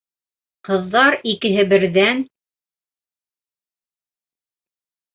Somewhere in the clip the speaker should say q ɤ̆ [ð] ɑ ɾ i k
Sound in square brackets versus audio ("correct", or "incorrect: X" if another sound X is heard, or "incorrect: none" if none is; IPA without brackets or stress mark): incorrect: ðː